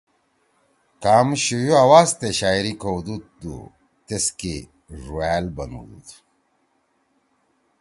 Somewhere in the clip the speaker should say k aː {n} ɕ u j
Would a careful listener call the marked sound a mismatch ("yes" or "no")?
yes